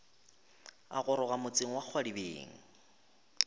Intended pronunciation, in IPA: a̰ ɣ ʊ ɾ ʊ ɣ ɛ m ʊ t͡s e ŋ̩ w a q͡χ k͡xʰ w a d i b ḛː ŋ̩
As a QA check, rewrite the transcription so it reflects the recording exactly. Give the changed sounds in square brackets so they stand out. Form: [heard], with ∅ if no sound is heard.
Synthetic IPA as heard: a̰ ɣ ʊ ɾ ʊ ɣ [a] m ʊ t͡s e ŋ̩ w a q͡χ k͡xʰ w a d i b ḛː ŋ̩